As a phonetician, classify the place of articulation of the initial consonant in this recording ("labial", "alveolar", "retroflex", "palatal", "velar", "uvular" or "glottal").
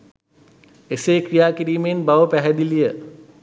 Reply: alveolar